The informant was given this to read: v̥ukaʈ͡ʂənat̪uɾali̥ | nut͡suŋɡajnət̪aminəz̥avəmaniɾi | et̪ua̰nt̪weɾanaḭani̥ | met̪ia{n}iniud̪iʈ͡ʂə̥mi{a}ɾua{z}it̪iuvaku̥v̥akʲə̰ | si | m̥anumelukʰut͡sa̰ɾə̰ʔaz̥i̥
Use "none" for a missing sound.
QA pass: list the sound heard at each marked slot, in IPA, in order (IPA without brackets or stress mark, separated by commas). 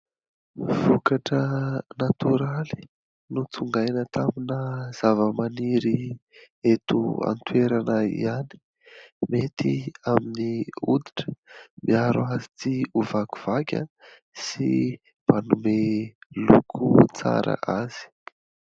m, a, z